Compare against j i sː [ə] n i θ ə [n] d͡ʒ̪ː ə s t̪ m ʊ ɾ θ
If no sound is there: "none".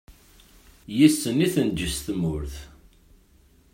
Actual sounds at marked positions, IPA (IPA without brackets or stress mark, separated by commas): ə, n